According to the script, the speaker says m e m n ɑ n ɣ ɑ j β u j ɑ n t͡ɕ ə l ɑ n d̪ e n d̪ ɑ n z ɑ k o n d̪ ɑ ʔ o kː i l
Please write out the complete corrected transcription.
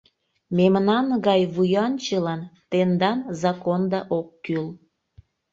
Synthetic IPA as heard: m e m n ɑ n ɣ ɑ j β u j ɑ n t͡ɕ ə l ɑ n t̪ e n d̪ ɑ n z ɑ k o n d̪ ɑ ʔ o kː y l